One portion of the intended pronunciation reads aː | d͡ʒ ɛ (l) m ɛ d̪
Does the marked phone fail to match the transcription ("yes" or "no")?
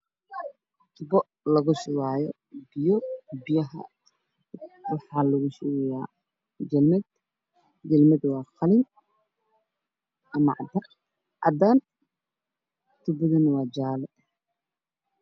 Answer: no